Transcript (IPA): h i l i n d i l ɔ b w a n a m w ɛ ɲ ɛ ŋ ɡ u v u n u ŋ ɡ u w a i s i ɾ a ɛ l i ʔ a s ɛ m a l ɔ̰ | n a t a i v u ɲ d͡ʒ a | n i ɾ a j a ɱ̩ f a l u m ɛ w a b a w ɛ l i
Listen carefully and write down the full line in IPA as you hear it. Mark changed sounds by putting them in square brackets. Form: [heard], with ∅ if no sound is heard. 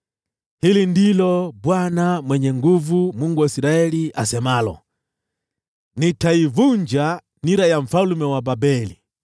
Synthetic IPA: h i l i n d i l ɔ b w a n a m w ɛ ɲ ɛ ŋ ɡ u v u [m] u ŋ ɡ u w a i s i ɾ a ɛ l i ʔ a s ɛ m a l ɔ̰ | n [i] t a i v u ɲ d͡ʒ a | n i ɾ a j a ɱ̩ f a l u m ɛ w a b a [b] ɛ l i